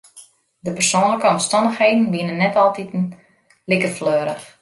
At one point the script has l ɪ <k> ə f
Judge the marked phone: correct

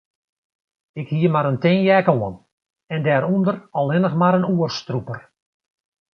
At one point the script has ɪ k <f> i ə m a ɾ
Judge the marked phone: incorrect: h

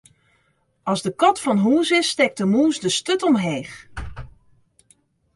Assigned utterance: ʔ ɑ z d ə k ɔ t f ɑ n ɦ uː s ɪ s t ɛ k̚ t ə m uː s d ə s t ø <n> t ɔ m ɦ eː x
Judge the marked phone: incorrect: none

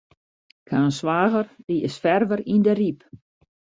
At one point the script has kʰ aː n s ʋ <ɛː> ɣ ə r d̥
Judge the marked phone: incorrect: aː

